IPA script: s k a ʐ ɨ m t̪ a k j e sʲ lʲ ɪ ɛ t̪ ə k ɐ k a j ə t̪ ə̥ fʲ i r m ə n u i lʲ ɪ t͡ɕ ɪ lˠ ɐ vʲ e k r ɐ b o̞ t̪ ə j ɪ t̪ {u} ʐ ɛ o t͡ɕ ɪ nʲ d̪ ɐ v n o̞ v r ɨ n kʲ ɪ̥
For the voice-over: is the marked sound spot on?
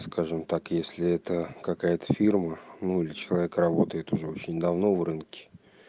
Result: no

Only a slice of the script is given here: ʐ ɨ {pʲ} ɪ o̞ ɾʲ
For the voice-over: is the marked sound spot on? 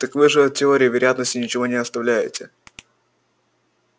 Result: no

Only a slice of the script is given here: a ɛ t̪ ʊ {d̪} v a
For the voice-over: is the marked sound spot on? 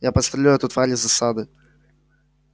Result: no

